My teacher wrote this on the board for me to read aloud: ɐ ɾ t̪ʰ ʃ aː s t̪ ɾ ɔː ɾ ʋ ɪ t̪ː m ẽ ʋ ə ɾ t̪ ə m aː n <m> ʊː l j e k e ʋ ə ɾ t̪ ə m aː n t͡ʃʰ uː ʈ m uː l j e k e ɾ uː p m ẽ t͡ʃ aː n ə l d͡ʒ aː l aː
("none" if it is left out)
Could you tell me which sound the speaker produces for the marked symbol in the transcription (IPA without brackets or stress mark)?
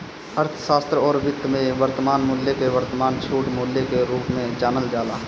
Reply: m